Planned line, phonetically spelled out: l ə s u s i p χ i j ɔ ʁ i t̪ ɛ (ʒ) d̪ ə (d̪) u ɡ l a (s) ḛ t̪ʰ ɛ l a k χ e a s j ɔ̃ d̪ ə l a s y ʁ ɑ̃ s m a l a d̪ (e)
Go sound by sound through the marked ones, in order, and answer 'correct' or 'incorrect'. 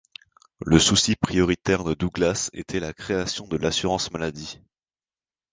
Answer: incorrect, correct, correct, incorrect

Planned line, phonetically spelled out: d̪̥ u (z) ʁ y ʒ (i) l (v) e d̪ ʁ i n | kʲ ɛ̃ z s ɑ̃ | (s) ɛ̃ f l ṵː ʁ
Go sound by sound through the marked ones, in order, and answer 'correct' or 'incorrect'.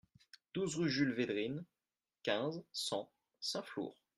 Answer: correct, incorrect, correct, correct

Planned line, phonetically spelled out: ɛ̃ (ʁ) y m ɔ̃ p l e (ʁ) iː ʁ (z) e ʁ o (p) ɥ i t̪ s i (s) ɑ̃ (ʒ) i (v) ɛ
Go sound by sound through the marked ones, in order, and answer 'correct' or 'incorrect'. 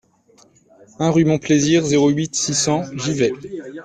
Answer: correct, incorrect, correct, incorrect, correct, correct, correct

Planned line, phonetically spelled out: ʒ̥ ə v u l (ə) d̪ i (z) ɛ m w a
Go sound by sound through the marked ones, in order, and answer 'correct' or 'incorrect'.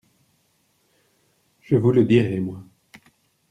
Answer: correct, incorrect

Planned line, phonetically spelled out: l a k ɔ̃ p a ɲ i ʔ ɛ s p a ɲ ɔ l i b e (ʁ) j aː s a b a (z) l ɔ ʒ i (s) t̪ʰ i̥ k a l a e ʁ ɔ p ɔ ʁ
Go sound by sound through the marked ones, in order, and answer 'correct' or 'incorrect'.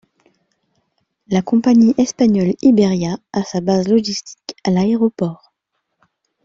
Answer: correct, correct, correct

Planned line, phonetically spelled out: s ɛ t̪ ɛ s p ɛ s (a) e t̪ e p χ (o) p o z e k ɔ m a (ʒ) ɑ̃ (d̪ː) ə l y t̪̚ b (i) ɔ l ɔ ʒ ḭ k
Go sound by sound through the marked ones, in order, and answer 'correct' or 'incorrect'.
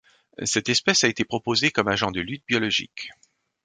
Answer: correct, incorrect, correct, incorrect, incorrect

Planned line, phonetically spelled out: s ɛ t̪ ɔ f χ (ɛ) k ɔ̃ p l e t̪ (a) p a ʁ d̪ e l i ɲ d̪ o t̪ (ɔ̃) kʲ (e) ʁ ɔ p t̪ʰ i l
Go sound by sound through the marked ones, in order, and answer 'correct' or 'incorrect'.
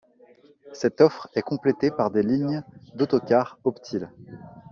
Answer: correct, incorrect, incorrect, incorrect

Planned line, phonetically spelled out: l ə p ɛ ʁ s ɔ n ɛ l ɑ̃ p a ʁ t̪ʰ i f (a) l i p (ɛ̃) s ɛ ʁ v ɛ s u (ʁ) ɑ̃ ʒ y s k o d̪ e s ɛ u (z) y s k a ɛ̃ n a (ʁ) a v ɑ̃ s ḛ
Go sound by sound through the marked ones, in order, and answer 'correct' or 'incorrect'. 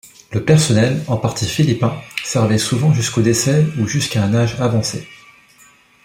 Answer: incorrect, correct, incorrect, incorrect, incorrect

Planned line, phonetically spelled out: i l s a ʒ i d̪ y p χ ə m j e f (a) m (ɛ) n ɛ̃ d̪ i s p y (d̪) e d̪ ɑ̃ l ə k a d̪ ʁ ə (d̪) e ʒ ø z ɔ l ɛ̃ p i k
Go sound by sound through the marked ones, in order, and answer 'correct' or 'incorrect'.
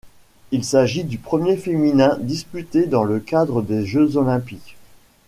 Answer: incorrect, incorrect, incorrect, correct

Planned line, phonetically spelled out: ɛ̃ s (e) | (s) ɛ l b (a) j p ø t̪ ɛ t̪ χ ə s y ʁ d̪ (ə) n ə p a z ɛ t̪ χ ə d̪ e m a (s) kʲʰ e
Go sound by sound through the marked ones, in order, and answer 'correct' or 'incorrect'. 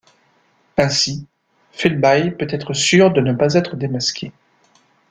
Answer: incorrect, incorrect, correct, correct, correct

